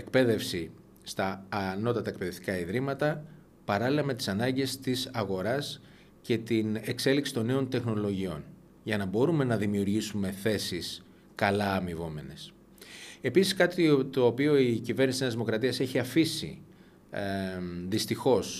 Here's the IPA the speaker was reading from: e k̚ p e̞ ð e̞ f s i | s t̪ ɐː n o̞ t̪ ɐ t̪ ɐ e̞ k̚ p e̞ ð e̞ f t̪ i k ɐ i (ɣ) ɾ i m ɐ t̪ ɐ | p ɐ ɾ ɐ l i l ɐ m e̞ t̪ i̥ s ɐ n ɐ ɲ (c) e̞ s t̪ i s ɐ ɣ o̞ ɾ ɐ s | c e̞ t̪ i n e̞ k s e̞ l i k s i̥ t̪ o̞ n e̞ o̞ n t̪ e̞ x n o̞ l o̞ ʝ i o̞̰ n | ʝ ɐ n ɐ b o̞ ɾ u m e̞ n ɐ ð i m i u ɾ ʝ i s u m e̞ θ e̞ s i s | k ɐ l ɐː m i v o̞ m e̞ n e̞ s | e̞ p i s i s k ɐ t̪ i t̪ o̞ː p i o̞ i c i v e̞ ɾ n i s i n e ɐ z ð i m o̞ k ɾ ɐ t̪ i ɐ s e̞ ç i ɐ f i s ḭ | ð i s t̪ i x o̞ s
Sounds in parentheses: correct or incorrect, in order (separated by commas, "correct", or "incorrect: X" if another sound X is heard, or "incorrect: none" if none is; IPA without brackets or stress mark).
incorrect: ð, incorrect: ɟ